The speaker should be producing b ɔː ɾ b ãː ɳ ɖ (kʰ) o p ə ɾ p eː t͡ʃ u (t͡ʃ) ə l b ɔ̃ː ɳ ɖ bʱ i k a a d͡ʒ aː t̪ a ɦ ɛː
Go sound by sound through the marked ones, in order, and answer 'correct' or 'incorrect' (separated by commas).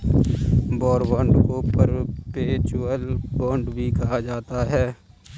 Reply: incorrect, incorrect